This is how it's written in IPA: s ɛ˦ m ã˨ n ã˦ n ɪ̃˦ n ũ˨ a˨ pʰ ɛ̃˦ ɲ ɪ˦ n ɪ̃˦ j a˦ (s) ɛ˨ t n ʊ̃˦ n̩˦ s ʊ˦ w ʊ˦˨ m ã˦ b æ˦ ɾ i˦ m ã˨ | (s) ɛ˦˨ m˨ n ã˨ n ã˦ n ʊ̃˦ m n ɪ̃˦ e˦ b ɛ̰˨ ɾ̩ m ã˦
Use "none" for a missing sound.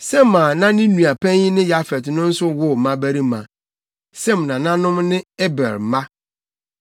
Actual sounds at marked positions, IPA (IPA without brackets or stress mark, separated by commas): f, s